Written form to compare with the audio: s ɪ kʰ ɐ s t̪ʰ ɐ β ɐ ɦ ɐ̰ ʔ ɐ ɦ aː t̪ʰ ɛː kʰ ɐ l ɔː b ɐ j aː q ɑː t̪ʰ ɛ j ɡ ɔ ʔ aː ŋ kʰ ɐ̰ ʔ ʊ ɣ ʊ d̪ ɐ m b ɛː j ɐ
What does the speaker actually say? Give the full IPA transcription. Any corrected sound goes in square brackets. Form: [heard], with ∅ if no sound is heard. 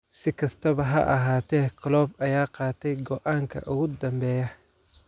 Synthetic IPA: s ɪ kʰ ɐ s t̪ʰ ɐ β ɐ ɦ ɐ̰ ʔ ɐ ɦ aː t̪ʰ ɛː kʰ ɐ l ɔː b ɐ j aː q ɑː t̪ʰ ɛ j ɡ ɔ ʔ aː ŋ kʰ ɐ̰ ʔ ʊ ɣ ʊ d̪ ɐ m b ɛː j ɐ